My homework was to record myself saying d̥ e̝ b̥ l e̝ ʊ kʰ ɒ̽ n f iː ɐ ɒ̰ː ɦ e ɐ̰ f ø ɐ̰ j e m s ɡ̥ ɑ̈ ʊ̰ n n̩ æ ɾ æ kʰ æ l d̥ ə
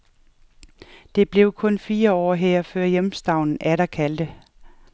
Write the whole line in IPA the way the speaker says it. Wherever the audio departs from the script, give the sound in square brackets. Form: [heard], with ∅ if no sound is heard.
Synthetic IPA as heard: d̥ e̝ b̥ l e̝ ʊ kʰ [ɔ̽] n f iː ɐ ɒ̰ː ɦ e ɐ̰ f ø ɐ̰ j e m s [d̥] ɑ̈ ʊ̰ n n̩ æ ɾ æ kʰ æ l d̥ ə